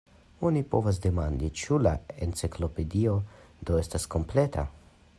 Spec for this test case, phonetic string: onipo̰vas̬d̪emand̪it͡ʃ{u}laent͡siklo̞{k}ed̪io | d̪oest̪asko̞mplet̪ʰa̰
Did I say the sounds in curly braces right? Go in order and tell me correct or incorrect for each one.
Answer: correct, incorrect: p

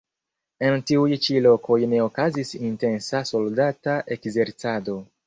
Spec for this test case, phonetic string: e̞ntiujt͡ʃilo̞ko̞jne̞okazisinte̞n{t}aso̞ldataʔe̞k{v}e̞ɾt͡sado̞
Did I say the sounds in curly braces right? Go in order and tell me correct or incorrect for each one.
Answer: incorrect: s, incorrect: z

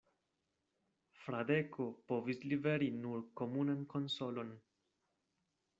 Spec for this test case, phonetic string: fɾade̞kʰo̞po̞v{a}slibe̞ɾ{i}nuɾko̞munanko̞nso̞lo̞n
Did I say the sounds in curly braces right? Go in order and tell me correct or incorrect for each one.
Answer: incorrect: i, correct

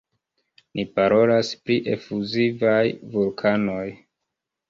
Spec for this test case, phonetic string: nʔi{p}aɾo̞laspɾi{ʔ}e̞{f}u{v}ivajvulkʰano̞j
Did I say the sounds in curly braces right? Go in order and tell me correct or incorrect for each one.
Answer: correct, correct, correct, incorrect: z

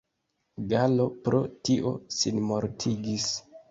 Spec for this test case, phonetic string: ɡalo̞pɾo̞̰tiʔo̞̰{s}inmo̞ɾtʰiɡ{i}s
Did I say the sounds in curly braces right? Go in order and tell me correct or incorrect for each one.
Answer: correct, correct

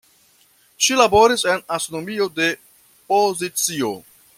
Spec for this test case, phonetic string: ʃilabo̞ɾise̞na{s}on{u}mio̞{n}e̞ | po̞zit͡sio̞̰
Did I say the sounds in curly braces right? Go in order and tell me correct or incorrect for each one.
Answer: correct, incorrect: o, incorrect: d

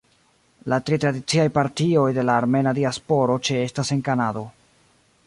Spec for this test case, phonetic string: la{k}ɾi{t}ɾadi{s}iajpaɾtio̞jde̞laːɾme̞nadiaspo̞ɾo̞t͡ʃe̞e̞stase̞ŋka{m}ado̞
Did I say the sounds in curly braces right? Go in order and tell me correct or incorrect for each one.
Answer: incorrect: t, correct, incorrect: t͡s, incorrect: n

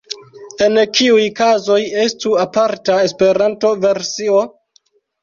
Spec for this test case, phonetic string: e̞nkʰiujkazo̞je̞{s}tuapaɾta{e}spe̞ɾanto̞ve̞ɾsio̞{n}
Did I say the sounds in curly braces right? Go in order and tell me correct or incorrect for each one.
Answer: correct, correct, incorrect: none

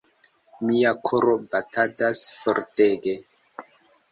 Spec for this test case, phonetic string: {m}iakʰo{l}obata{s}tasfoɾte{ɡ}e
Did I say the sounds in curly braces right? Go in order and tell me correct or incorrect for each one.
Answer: correct, incorrect: ɾ, incorrect: none, correct

